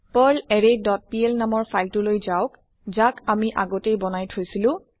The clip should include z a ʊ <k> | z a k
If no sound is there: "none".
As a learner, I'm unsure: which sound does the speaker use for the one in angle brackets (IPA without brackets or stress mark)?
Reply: k